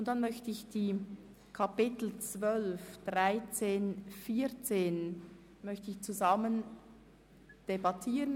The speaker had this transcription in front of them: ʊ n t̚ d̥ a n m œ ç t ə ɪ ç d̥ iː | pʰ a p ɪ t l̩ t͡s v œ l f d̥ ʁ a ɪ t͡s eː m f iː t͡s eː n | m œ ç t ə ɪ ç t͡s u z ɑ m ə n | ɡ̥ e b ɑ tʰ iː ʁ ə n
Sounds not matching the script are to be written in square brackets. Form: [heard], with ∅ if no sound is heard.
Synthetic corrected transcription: ʊ n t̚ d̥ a n m œ ç t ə ɪ ç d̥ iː | [kʰ] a p ɪ t l̩ t͡s v œ l f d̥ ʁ a ɪ t͡s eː [n] f iː t͡s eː n | m œ ç t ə ɪ ç t͡s u z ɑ m ə n | [d̥] e b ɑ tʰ iː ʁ ə n

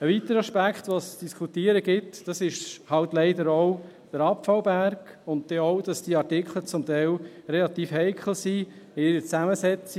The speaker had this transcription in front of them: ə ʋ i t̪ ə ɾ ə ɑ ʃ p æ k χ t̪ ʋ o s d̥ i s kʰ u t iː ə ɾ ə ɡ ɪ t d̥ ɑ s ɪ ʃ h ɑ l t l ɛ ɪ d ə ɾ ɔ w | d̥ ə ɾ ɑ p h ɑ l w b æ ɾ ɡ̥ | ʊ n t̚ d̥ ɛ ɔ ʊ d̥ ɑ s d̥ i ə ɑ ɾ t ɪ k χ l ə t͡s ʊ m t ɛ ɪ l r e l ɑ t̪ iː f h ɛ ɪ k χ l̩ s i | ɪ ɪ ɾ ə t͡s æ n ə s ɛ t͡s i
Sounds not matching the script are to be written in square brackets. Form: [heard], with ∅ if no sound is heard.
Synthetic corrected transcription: ə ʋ i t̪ ə ɾ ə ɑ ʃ p æ k χ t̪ ʋ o s d̥ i s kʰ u t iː ə ɾ ə ɡ ɪ t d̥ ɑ s ɪ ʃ h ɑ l t l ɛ ɪ d ə ɾ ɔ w | d̥ ə ɾ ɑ p [f] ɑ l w b æ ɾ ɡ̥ | ʊ n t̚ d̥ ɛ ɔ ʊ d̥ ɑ s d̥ i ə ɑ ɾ t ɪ k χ l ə t͡s ʊ m t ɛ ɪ l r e l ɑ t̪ iː f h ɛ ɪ k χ l̩ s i | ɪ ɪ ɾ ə t͡s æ [m] ə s ɛ t͡s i

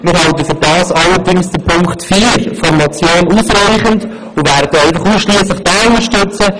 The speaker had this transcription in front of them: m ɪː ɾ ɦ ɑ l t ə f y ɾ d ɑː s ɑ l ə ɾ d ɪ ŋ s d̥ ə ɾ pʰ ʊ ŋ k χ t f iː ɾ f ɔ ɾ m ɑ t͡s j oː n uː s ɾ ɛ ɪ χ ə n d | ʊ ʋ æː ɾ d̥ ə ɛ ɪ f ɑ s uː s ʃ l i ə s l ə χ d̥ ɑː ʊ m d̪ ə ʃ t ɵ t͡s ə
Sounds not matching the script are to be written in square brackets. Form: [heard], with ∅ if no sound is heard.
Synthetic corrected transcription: m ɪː ɾ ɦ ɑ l t ə f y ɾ d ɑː s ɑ l ə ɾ d ɪ ŋ s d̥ ə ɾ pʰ ʊ ŋ k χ t f iː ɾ f ɔ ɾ m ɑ t͡s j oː n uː s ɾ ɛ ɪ χ ə n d | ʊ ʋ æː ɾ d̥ ə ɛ ɪ f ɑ [χ] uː s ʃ l i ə s l ə χ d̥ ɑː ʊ [n] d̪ ə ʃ t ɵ t͡s ə

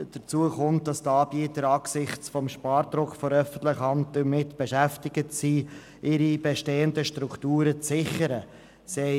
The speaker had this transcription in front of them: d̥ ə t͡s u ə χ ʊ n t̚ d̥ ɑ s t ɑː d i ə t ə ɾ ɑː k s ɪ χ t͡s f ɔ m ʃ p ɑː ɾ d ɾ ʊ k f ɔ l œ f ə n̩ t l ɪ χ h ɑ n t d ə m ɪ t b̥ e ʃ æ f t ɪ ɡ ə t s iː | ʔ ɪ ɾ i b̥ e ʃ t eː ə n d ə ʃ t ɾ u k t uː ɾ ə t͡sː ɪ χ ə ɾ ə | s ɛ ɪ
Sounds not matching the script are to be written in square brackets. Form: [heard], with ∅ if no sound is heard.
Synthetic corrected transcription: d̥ ə t͡s u ə χ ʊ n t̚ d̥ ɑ s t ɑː [b] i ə t ə ɾ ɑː k s ɪ χ t͡s f ɔ m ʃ p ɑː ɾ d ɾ ʊ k f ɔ [ɾ] œ f ə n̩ t l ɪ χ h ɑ n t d ə m ɪ t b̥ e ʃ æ f t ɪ ɡ ə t s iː | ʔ ɪ ɾ i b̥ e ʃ t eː ə n d ə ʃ t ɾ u k t uː ɾ ə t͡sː ɪ χ ə ɾ ə | s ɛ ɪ

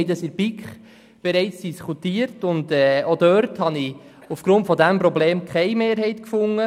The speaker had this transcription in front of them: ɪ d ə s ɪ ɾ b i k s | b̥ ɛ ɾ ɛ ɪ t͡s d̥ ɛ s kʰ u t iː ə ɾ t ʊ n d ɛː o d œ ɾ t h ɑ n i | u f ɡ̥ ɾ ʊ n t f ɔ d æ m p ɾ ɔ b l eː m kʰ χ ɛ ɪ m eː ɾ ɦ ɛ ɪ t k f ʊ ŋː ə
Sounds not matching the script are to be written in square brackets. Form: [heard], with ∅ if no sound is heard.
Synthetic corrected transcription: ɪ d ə s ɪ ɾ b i k [χ] | b̥ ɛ ɾ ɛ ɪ t͡s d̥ [i] s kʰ u t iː ə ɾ t ʊ n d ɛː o d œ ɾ t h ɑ n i | u f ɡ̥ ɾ ʊ n t f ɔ d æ m p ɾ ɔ b l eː m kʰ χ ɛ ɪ m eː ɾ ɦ ɛ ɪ t k f ʊ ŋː ə

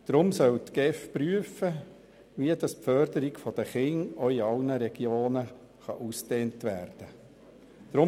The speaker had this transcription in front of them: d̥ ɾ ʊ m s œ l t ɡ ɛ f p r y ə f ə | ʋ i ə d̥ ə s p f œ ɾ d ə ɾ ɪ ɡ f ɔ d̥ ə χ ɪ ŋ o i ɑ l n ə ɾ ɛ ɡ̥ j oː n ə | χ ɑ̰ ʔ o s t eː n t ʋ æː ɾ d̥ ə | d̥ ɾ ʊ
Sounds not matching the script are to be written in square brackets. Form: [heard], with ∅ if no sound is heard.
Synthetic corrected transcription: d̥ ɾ ʊ m s œ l t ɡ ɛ f p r y ə f ə | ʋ i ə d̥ [ɑ] s p f œ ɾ d ə ɾ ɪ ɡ f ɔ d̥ ə χ ɪ ŋ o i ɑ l n ə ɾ ɛ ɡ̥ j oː n ə | χ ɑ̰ ʔ [u] s t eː n t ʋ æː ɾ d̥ ə | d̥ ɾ ʊ

